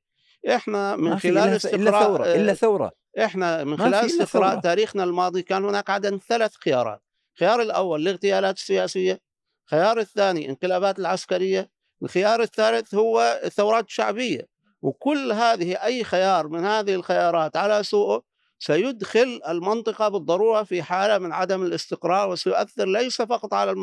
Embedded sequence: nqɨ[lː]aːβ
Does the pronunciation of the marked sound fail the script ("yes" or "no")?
yes